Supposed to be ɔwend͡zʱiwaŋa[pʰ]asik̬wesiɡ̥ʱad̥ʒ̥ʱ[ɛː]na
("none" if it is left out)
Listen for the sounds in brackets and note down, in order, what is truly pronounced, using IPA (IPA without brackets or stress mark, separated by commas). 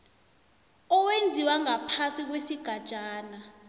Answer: pʰ, aː